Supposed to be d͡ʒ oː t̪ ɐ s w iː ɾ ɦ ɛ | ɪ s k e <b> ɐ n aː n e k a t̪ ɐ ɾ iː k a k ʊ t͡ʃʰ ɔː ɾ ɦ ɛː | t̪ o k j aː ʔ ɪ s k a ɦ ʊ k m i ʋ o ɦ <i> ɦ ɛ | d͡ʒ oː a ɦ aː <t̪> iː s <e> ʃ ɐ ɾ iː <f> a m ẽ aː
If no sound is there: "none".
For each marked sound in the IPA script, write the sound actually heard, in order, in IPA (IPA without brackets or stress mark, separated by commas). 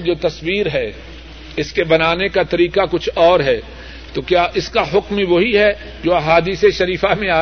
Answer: b, i, d̪, e, f